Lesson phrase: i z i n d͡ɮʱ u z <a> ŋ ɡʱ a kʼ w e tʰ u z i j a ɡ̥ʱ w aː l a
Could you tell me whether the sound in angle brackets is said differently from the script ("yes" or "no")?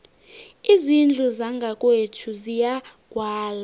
no